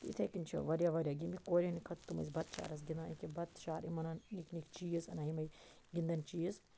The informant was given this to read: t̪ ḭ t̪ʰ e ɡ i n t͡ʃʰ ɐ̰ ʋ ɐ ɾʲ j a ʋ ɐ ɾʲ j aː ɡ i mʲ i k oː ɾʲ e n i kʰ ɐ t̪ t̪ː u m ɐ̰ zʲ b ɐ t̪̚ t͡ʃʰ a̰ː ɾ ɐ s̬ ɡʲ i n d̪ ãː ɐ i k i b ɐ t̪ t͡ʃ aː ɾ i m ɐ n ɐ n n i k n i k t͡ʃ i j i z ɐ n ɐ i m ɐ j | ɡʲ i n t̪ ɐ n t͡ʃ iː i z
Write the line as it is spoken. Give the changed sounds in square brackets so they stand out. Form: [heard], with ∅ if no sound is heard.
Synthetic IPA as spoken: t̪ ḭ t̪ʰ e [k] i n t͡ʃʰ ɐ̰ ʋ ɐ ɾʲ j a ʋ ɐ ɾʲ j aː ɡ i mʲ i k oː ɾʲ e n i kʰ ɐ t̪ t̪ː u m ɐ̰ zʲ b ɐ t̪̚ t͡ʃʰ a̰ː ɾ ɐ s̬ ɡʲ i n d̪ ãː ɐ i k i b ɐ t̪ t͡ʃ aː ɾ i m ɐ n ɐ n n i k n i k t͡ʃ i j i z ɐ n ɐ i m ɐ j | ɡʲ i n [d̪] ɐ n t͡ʃ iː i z